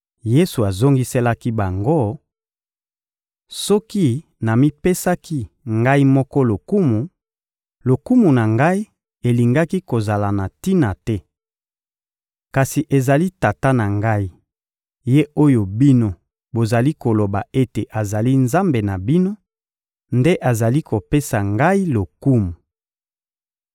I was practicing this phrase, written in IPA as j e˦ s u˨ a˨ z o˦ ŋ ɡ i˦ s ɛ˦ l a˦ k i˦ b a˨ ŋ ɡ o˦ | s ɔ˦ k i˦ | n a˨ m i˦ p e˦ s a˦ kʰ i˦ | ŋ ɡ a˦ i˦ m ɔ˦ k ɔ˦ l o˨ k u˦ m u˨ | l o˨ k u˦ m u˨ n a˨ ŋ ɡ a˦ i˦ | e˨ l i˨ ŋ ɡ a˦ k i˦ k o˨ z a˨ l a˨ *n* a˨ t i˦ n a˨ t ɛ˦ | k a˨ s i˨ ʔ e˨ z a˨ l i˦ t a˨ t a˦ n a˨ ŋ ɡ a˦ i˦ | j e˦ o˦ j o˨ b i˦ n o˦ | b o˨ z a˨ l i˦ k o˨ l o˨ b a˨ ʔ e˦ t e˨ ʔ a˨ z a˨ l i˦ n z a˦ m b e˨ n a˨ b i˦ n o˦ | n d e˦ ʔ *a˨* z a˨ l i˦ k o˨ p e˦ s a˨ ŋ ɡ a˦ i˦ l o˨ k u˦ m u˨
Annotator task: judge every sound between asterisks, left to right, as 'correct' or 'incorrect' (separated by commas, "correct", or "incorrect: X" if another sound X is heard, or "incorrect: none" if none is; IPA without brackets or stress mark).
correct, correct